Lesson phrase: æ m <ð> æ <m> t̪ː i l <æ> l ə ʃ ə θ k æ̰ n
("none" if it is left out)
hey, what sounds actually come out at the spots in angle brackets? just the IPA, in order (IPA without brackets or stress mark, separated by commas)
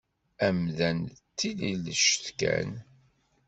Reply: ð, n, i